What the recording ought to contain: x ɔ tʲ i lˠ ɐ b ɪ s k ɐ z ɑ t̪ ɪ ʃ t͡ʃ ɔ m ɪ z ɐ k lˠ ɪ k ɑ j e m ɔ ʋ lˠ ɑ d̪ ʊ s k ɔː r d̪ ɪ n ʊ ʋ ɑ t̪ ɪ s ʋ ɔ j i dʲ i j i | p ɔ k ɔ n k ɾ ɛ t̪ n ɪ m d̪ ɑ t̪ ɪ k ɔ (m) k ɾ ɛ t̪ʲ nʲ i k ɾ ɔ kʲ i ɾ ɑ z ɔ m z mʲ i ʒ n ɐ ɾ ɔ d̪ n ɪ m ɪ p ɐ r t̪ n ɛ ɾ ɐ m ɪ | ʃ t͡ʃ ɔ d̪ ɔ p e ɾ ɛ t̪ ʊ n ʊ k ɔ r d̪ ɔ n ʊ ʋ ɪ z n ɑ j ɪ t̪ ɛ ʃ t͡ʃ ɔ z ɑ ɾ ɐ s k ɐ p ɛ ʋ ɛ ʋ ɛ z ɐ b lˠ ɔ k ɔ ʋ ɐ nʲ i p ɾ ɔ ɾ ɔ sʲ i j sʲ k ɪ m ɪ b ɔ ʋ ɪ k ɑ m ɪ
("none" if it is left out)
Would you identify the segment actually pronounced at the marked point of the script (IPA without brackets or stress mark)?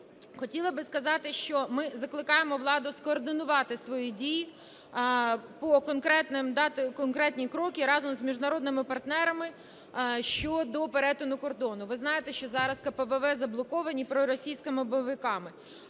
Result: n